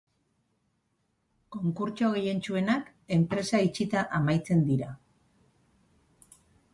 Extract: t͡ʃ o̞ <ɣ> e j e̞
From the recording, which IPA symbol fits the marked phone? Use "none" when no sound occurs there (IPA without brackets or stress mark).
ɣ